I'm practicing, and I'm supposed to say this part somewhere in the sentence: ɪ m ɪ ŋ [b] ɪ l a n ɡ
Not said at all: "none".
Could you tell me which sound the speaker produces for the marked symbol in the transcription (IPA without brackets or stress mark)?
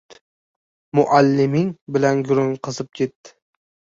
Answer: b